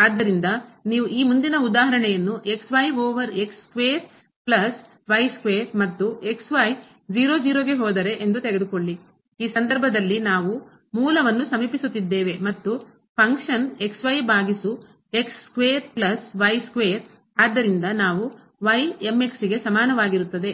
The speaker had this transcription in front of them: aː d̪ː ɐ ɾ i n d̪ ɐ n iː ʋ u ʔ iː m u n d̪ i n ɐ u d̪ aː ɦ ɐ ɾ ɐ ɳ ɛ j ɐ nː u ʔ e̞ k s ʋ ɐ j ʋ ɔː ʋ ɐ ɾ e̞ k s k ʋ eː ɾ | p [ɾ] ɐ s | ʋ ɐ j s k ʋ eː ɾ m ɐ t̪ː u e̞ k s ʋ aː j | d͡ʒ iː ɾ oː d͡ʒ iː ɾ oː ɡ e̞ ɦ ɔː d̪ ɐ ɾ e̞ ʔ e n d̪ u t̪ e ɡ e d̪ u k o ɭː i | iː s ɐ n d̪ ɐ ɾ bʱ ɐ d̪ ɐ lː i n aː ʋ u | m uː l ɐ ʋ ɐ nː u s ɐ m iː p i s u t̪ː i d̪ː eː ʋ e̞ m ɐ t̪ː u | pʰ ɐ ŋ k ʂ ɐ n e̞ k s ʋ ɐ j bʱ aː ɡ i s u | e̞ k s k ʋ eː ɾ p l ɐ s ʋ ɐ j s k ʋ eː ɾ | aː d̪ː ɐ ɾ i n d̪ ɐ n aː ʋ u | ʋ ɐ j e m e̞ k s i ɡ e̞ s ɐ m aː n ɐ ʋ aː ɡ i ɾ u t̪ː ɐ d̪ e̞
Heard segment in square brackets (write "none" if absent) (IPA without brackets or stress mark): l